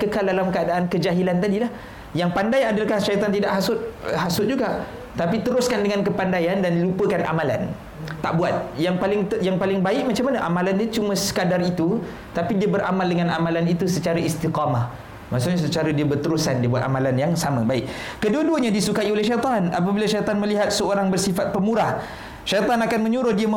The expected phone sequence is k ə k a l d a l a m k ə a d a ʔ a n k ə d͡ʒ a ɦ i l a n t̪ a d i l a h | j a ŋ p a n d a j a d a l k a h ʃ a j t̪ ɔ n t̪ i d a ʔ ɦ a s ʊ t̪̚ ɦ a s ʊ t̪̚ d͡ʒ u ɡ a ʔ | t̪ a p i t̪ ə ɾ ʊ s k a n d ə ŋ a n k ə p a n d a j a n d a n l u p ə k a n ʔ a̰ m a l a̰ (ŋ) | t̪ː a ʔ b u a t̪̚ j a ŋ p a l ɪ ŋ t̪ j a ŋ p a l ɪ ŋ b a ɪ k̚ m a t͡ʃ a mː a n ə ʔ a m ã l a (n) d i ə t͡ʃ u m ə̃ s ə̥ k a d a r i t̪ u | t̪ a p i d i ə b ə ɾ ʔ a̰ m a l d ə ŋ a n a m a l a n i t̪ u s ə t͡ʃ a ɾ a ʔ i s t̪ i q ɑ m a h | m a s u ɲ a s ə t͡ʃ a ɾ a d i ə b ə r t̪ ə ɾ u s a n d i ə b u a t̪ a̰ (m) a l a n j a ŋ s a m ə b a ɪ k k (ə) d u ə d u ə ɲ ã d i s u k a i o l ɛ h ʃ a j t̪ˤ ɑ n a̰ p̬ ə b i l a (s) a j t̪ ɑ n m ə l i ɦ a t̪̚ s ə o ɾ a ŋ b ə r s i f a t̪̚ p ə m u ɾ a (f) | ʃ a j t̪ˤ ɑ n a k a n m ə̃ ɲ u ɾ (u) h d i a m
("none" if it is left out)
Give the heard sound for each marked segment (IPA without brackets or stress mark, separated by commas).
n, n, m, ə, ʃ, h, ʊ